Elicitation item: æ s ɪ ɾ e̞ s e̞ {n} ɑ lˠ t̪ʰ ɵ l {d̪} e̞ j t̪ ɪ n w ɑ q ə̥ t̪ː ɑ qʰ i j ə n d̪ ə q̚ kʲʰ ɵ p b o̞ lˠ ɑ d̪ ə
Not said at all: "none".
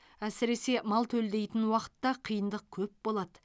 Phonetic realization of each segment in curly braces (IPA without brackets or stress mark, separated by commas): m, d̪